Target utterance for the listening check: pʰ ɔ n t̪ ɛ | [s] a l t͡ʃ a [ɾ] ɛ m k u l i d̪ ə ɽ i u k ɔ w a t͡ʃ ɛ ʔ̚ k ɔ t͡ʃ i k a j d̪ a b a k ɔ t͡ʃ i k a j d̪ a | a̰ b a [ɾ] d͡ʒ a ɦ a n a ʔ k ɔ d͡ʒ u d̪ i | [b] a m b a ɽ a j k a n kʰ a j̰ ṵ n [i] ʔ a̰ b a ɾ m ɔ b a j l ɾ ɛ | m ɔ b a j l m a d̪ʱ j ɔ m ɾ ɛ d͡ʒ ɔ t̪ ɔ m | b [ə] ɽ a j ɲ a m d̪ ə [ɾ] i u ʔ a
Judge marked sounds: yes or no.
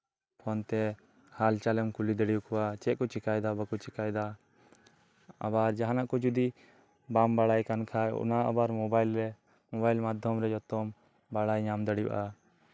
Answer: no, no, yes, yes, no, no, no

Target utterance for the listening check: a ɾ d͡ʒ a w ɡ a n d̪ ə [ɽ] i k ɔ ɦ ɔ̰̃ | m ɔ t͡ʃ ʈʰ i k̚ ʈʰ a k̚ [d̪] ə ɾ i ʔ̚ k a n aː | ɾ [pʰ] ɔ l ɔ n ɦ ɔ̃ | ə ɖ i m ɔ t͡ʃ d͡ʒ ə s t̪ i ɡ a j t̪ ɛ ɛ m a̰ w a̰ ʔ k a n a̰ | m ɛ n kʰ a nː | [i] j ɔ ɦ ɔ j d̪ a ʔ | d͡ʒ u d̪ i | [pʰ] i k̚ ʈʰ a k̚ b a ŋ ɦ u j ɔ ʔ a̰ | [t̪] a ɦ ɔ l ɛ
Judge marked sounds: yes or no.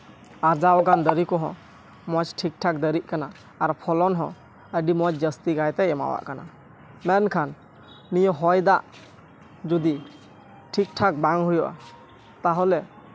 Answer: no, yes, yes, yes, no, yes

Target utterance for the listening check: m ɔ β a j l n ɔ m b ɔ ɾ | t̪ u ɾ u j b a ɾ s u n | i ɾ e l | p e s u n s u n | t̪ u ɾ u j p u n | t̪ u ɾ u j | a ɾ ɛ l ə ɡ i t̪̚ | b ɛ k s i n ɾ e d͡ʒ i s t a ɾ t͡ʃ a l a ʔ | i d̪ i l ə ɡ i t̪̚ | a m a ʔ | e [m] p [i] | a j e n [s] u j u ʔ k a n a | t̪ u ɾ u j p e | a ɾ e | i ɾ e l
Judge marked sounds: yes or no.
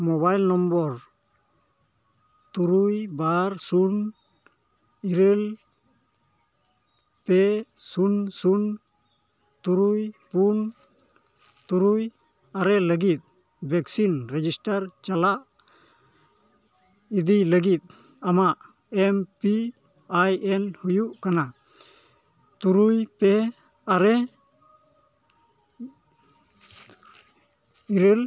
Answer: yes, yes, no

